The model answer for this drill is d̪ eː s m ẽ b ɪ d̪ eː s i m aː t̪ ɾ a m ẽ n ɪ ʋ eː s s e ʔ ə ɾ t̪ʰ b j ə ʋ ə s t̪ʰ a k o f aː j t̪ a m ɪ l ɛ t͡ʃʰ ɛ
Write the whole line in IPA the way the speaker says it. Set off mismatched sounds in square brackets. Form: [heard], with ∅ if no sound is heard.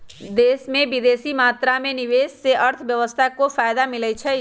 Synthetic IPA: d̪ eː s m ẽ b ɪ d̪ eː s i m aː t̪ ɾ a m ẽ n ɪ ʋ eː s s e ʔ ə ɾ t̪ʰ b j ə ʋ ə s t̪ʰ a k o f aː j [d̪] a m ɪ l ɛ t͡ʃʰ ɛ